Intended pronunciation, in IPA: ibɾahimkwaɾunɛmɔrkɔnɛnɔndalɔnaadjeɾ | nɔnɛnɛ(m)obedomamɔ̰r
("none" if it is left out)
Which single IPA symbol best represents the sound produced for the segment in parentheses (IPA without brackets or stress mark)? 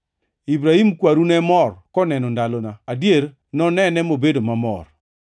m